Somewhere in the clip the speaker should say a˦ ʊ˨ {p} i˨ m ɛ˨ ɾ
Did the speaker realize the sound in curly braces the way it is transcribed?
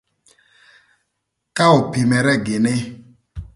yes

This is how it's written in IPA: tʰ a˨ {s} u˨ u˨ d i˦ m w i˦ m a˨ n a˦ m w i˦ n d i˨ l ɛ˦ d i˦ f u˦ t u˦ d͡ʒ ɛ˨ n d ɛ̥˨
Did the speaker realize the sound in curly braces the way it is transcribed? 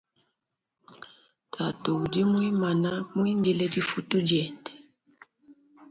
no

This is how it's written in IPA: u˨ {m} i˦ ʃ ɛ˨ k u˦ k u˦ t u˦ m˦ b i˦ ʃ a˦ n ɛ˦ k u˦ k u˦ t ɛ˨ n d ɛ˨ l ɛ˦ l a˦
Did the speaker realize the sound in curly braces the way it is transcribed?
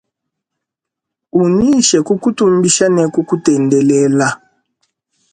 no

